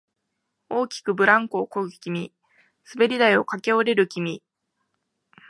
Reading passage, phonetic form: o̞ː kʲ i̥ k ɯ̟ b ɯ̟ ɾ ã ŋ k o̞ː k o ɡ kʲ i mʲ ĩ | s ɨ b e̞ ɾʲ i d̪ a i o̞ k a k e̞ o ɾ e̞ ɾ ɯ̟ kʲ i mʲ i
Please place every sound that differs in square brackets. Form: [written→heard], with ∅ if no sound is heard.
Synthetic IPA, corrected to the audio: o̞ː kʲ i̥ k ɯ̟ b ɯ̟ ɾ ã ŋ k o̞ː k o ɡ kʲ i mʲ [ĩ→i] | s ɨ b e̞ ɾʲ i d̪ a i o̞ k a k e̞ o ɾ e̞ ɾ ɯ̟ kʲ i mʲ i